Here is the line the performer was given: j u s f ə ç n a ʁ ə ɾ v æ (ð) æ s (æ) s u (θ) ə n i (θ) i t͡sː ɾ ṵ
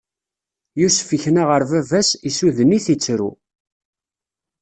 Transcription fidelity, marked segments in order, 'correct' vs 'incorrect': incorrect: v, incorrect: i, incorrect: ð, correct

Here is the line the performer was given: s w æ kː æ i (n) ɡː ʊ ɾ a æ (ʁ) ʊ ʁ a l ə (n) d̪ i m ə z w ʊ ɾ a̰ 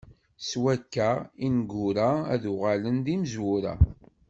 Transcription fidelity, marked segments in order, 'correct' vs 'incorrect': correct, incorrect: ð, correct

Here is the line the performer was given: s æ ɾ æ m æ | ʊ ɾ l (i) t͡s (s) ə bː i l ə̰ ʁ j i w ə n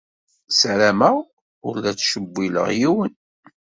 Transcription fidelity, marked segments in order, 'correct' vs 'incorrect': incorrect: æ, incorrect: ʃ

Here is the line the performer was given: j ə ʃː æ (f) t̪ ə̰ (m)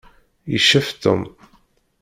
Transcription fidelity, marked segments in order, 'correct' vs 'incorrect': correct, correct

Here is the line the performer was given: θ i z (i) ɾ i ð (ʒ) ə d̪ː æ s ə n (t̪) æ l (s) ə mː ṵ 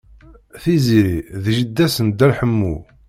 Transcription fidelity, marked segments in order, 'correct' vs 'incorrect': correct, correct, incorrect: d̪, incorrect: ħ

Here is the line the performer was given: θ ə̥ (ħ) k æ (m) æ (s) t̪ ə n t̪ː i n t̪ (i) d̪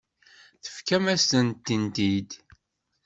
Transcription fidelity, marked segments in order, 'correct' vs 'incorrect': incorrect: f, correct, correct, correct

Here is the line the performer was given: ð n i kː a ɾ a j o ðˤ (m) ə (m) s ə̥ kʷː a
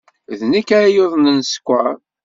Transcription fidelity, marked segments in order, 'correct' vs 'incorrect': incorrect: n, incorrect: n

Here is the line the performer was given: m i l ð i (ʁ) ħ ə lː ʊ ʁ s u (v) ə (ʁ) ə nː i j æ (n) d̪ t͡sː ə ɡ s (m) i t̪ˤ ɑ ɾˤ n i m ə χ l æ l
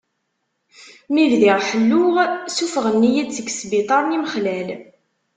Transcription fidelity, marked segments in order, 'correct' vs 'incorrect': correct, incorrect: f, correct, incorrect: none, incorrect: b

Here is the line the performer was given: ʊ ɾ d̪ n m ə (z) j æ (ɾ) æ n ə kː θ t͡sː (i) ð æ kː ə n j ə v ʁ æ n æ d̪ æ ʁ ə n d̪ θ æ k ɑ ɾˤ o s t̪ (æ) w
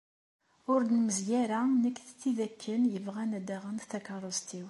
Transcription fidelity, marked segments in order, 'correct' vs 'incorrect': correct, correct, correct, incorrect: i

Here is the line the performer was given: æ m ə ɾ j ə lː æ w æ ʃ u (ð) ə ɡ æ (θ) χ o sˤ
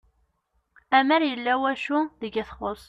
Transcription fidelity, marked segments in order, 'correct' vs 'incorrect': correct, correct

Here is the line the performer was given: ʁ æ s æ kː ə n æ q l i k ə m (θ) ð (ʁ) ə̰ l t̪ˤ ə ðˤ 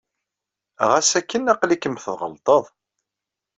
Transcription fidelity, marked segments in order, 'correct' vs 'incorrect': correct, correct

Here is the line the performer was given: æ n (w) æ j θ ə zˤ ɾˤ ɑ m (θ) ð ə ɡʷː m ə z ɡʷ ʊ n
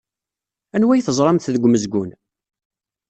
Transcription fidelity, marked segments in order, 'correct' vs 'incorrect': correct, correct

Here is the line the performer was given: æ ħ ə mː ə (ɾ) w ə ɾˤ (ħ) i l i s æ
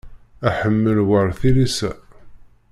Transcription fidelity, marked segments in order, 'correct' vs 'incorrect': incorrect: l, incorrect: θ

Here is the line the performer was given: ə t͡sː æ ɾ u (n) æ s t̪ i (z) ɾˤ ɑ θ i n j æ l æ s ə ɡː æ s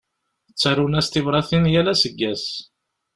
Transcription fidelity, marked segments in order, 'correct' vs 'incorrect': correct, incorrect: v

